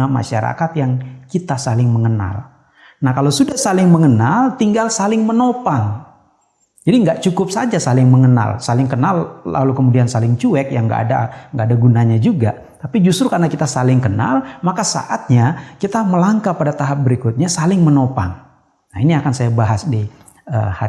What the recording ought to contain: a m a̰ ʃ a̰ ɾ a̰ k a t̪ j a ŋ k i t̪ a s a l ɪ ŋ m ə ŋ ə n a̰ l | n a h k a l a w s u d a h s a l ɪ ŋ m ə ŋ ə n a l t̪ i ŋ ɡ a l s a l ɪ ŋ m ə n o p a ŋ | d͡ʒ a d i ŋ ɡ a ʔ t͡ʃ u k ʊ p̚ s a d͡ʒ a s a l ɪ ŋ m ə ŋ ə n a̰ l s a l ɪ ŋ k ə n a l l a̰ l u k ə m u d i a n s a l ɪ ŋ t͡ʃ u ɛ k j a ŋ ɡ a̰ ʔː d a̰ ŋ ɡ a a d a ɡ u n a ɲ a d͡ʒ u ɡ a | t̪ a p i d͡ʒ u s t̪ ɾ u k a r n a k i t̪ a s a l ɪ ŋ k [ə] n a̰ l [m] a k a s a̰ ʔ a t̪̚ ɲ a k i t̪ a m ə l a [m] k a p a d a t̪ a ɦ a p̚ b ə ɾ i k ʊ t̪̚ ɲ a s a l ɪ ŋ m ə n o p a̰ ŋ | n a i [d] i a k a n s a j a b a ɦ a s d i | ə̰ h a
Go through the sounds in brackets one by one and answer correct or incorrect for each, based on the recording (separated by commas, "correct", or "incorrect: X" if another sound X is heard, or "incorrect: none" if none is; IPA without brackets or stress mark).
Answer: correct, correct, incorrect: ŋ, incorrect: n